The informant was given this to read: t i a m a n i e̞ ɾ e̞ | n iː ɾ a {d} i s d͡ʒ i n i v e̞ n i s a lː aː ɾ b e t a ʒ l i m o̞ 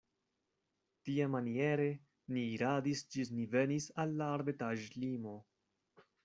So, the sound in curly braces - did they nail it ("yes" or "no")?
yes